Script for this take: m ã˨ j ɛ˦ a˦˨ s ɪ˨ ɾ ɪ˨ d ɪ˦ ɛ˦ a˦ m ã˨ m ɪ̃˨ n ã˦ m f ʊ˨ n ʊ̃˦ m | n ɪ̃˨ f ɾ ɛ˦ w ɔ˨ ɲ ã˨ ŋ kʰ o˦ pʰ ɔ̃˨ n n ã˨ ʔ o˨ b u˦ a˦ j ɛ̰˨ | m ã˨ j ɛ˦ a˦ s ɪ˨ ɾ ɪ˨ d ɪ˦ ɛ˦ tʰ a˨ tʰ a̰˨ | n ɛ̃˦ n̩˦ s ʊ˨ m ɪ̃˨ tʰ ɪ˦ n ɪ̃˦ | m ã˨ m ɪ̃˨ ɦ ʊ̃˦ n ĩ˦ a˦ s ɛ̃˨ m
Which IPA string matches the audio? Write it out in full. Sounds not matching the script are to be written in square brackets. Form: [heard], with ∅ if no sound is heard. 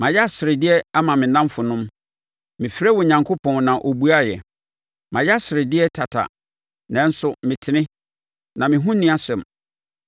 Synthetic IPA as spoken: m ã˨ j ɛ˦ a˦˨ s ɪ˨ ɾ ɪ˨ d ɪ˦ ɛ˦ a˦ m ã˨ m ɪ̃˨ n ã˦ m f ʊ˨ n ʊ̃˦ m | [m] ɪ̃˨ f ɾ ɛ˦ w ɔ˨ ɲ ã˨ ŋ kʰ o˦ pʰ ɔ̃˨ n n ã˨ ʔ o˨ b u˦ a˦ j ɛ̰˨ | m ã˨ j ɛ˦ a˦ s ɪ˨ ɾ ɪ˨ d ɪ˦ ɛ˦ tʰ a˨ tʰ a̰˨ | n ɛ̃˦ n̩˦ s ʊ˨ m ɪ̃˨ tʰ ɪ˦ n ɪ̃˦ | [n] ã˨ m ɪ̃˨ ɦ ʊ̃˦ n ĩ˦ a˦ s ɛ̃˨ m

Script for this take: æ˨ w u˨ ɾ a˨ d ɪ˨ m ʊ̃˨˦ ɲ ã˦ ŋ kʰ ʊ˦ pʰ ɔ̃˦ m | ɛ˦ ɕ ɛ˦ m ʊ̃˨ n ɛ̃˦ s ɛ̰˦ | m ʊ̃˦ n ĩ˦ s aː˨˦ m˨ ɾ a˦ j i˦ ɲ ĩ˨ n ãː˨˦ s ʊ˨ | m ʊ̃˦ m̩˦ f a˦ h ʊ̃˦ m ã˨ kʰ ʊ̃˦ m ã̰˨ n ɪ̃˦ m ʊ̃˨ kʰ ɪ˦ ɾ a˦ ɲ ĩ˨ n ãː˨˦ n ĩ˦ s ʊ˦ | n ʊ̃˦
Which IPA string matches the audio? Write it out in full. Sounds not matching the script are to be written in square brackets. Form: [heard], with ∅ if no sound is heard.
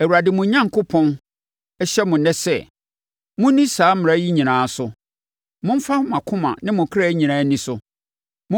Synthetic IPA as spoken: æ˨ w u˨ ɾ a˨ d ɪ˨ m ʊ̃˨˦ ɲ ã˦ ŋ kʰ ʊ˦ pʰ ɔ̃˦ [n] | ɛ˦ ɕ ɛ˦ m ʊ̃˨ n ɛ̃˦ s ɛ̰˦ | m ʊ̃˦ n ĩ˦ s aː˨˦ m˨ ɾ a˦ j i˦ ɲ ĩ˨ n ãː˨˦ s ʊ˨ | m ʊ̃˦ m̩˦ f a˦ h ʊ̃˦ m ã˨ kʰ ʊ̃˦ m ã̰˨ n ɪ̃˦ m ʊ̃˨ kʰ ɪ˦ ɾ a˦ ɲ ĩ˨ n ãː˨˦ n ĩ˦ s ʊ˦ | [m] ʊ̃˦

